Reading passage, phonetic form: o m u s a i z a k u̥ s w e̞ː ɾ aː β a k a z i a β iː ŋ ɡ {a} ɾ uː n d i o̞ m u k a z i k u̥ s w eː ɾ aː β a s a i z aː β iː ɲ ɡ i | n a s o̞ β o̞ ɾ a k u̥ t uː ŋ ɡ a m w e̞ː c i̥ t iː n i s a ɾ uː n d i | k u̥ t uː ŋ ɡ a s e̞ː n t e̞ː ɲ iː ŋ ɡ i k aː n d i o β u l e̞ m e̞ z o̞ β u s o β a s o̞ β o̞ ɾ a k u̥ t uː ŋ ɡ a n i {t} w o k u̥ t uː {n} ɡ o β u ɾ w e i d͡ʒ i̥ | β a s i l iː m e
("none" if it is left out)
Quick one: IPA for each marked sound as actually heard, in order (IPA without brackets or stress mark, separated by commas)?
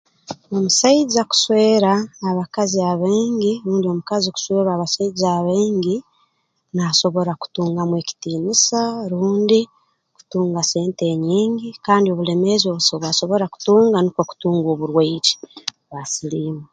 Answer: i, k, ŋ